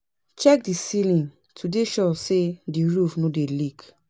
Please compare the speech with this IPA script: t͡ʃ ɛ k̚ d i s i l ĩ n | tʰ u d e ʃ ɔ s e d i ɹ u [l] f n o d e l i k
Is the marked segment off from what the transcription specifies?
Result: yes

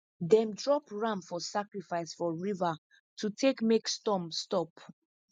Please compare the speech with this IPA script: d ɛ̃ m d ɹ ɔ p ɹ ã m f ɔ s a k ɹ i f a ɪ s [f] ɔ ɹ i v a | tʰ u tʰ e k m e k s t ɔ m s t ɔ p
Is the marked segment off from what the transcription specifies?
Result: no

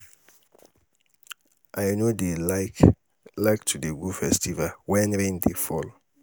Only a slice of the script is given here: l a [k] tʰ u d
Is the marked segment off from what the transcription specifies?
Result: no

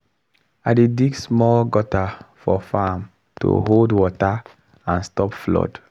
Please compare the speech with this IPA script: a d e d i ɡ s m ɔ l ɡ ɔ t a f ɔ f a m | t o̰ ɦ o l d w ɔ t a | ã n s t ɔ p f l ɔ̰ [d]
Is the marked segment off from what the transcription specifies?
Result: no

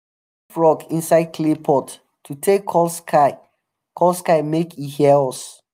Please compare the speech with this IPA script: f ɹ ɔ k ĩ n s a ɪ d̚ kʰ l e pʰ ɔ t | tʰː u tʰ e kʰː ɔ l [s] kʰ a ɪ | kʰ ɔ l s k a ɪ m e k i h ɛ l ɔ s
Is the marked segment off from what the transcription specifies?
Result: no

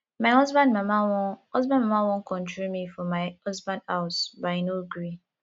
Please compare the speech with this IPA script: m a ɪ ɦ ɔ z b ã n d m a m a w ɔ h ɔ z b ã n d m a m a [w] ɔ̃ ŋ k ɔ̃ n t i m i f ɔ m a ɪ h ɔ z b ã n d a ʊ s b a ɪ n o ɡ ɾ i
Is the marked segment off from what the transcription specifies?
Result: no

